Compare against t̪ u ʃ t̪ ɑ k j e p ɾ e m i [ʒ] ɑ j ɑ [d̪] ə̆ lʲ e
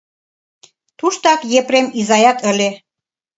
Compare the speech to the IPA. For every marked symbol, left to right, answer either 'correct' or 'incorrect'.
incorrect, incorrect

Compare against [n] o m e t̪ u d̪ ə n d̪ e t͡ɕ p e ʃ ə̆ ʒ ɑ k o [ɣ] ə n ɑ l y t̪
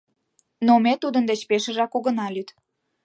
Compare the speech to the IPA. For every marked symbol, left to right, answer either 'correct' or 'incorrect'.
correct, correct

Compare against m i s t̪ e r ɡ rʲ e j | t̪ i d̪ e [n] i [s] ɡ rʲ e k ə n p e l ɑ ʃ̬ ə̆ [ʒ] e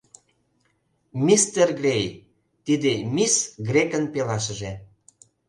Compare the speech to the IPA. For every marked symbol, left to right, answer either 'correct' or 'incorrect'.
incorrect, correct, correct

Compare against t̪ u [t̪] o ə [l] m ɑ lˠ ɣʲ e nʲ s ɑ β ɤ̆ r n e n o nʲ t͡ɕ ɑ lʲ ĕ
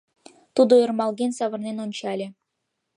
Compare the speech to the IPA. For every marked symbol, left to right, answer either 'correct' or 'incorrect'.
incorrect, incorrect

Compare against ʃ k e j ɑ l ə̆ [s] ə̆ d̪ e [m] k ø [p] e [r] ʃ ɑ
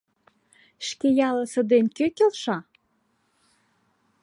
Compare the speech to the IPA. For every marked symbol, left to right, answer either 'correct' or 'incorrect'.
correct, incorrect, incorrect, incorrect

